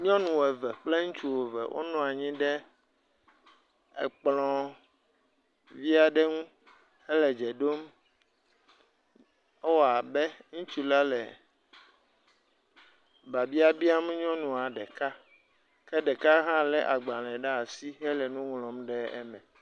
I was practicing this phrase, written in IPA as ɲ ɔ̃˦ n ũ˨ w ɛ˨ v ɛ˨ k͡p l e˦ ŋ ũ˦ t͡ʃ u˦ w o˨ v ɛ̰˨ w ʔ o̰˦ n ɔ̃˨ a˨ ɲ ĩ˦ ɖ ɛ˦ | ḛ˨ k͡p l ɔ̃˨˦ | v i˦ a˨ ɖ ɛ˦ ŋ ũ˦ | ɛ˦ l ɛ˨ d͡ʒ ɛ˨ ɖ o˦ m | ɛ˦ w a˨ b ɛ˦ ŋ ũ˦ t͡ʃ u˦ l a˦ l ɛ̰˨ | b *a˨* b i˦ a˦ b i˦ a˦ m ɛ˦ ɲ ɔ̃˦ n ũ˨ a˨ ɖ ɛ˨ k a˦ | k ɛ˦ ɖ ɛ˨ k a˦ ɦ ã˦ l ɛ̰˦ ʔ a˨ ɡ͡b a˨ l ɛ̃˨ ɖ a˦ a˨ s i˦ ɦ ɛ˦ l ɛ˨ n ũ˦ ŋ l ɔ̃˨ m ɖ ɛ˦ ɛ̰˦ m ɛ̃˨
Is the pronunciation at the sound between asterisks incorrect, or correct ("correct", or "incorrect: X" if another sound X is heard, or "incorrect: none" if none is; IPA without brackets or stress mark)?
correct